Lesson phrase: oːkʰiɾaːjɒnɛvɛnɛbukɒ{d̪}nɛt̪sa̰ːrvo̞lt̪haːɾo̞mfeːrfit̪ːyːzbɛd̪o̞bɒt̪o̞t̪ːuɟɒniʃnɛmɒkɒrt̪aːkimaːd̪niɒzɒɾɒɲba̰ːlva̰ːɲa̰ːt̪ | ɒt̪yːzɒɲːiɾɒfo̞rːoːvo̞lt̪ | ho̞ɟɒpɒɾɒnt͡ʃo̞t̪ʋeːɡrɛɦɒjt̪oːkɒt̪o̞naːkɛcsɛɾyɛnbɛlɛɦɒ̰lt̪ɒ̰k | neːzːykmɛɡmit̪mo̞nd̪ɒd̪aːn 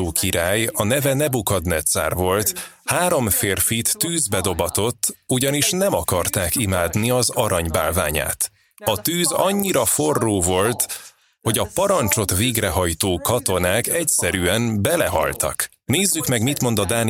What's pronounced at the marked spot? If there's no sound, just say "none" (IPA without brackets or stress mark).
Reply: d̪